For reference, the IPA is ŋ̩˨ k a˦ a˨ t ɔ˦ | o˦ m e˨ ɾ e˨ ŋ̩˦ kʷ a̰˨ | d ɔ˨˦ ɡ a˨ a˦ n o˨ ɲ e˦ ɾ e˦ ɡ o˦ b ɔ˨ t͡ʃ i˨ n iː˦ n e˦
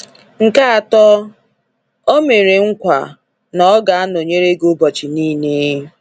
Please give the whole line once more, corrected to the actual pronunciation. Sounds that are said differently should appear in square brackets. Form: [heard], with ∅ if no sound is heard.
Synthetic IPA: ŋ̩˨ k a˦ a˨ t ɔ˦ | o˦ m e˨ ɾ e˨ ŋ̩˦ kʷ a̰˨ | [n] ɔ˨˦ ɡ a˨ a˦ n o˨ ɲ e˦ ɾ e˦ ɡ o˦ b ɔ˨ t͡ʃ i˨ n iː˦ n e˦